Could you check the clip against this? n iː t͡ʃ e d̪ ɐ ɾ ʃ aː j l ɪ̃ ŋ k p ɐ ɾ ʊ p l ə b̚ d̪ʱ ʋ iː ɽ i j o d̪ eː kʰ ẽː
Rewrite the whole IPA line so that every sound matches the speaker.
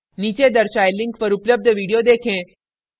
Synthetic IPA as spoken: n iː t͡ʃ e d̪ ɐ ɾ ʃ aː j l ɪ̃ ŋ k p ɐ ɾ ʊ p l ə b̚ d̪ʱ ʋ iː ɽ i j o d̪ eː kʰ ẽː